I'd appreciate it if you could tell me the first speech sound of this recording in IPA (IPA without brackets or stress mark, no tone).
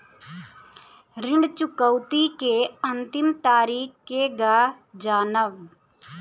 ɾ